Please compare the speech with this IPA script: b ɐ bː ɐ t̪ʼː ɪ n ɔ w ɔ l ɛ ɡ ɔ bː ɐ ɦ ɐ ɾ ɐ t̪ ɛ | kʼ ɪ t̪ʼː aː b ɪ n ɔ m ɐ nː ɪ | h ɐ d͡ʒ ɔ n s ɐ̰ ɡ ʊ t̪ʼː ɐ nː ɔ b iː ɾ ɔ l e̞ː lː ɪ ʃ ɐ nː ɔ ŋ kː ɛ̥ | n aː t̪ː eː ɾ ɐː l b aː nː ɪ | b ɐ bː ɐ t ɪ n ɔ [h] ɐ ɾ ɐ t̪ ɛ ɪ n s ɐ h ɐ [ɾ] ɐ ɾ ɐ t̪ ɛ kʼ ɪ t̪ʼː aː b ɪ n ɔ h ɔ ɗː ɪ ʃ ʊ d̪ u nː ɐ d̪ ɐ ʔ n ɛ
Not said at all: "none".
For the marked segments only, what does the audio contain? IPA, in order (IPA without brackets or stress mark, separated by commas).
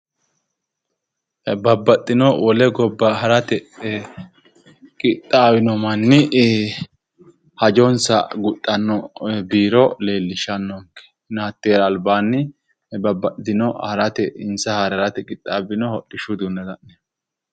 h, ɾ